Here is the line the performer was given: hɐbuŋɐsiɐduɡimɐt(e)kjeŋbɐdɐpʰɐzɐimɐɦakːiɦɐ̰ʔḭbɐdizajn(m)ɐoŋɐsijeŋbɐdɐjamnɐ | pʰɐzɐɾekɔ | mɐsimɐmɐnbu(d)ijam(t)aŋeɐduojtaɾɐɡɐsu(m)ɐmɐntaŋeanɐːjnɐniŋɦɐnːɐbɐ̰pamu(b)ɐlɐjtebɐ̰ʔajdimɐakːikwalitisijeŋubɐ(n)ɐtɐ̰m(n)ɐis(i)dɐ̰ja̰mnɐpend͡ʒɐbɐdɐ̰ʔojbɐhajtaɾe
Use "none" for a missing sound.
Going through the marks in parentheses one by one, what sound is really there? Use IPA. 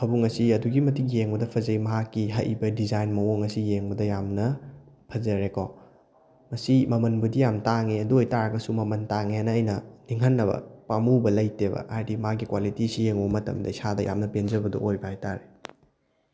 i, m, d, t, m, b, m, d, a

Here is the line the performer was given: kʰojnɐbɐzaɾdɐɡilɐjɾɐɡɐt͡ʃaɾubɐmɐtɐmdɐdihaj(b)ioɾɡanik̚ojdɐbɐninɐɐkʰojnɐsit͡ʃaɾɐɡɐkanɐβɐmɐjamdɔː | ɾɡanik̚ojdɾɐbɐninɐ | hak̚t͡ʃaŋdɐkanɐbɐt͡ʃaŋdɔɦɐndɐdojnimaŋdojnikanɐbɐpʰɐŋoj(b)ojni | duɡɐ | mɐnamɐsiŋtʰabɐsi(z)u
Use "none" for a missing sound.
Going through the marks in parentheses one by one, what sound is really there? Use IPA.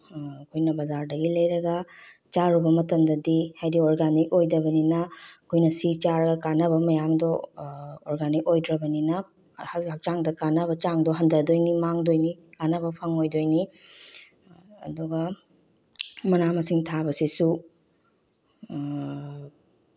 d, d, s

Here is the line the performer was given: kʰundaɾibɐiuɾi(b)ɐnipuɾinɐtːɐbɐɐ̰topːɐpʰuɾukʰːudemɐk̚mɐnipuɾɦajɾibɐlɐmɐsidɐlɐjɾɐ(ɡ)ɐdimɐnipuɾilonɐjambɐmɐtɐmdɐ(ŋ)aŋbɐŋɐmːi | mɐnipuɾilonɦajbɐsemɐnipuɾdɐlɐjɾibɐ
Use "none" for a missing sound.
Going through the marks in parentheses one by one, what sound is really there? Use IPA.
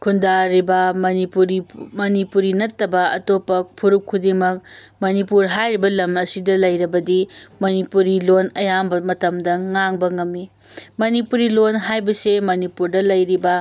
m, b, ŋ

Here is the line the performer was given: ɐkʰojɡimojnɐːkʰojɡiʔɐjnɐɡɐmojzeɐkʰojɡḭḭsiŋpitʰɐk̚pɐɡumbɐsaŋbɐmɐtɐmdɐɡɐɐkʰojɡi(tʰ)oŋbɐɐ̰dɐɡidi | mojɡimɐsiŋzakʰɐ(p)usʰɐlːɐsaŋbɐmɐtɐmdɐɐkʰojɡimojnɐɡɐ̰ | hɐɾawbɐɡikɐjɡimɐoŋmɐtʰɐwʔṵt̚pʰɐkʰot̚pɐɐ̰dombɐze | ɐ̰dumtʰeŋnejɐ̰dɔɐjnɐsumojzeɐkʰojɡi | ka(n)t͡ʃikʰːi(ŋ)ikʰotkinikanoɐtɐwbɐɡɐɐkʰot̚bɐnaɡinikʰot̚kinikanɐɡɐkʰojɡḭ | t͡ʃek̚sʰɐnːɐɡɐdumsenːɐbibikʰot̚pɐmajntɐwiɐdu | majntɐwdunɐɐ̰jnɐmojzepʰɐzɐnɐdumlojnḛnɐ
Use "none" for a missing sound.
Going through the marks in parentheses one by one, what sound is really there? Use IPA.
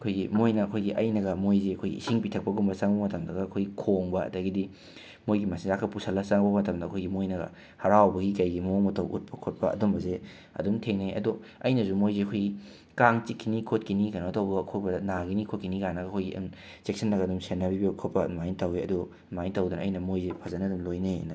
kʰ, p, ŋ, n

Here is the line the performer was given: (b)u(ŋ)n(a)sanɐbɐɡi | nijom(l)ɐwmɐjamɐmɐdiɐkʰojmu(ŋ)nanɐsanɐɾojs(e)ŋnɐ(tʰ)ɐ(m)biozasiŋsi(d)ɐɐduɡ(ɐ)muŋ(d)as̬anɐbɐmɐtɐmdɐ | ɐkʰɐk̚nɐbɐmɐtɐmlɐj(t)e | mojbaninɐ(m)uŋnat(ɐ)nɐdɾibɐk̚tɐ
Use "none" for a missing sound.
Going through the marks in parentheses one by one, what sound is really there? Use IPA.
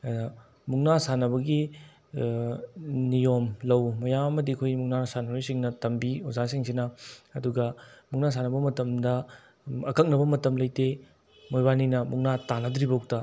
m, ŋ, a, l, ŋ, i, t, m, n, ɐ, n, t, m, a

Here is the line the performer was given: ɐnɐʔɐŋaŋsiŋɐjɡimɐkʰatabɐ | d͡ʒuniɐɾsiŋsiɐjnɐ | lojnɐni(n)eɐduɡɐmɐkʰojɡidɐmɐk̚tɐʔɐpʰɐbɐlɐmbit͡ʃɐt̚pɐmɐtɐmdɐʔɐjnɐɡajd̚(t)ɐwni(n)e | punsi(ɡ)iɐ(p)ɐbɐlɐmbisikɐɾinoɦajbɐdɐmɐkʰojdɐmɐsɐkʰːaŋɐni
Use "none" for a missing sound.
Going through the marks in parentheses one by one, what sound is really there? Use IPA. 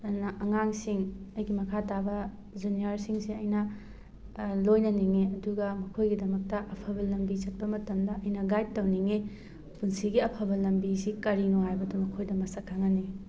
ŋ, t, ŋ, ɡ, pʰ

